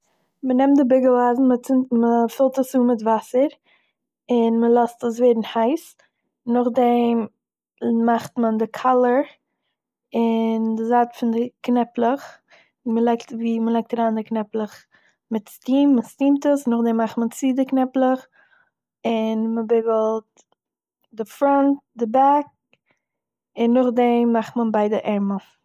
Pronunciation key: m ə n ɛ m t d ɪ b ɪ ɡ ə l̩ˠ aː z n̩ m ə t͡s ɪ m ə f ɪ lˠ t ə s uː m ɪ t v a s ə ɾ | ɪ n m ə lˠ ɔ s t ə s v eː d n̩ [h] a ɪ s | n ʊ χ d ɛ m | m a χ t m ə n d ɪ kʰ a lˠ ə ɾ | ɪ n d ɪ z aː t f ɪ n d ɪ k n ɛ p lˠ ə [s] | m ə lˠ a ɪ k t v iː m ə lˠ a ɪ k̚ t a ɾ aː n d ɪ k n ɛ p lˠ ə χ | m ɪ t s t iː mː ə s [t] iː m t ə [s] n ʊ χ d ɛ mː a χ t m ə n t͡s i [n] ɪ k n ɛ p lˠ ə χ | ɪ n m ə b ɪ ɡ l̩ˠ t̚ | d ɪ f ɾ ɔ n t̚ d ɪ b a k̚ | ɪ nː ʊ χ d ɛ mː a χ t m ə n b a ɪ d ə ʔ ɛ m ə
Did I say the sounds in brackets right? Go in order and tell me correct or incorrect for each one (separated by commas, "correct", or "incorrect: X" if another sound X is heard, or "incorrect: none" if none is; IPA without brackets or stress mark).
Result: correct, incorrect: χ, correct, correct, incorrect: d